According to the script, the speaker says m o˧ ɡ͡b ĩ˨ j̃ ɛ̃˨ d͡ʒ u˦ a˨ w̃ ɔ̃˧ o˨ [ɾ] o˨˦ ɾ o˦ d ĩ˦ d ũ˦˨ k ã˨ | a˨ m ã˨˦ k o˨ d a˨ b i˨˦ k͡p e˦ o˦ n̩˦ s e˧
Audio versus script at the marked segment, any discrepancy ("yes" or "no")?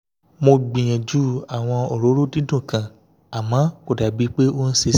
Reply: no